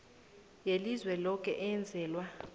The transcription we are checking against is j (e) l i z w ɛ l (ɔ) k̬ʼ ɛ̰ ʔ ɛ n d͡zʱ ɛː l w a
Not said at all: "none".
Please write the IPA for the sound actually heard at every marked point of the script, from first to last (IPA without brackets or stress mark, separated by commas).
e, ɔ